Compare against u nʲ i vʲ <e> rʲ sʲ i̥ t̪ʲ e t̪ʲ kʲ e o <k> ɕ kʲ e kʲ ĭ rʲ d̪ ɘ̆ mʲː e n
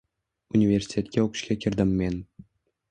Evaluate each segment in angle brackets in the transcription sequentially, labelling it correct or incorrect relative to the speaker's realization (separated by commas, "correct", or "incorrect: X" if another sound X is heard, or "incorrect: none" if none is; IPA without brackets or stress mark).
correct, correct